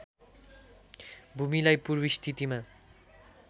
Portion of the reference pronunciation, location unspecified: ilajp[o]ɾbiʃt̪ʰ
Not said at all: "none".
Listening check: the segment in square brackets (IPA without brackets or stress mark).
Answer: u